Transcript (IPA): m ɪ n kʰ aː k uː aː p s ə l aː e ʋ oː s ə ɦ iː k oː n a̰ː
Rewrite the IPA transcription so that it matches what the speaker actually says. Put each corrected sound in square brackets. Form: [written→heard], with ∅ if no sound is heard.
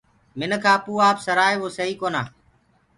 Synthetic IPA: m ɪ n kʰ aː [k→p] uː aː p s ə [l→ɾ] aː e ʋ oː s ə ɦ iː k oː n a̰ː